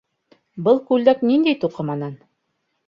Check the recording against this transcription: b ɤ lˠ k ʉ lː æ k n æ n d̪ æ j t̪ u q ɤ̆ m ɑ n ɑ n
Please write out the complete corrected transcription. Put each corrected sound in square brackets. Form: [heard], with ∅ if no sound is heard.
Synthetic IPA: b ɤ lˠ k ʉ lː æ k n [i] n d̪ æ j t̪ u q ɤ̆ m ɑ n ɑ n